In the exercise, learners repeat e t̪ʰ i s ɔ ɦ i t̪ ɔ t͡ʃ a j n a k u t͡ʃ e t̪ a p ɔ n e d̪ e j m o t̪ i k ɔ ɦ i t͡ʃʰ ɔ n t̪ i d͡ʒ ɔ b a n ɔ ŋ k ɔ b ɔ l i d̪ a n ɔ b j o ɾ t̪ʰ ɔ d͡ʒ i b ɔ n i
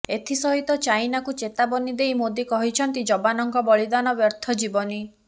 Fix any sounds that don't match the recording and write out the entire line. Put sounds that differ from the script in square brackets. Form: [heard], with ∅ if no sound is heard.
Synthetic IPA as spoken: e t̪ʰ i s ɔ ɦ i t̪ ɔ t͡ʃ a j n a k u t͡ʃ e t̪ a [b] ɔ n [i] d̪ e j m o [d̪] i k ɔ ɦ i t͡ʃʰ ɔ n t̪ i d͡ʒ ɔ b a n ɔ ŋ k ɔ b ɔ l i d̪ a n ɔ b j [ɔ] ɾ t̪ʰ ɔ d͡ʒ i b ɔ n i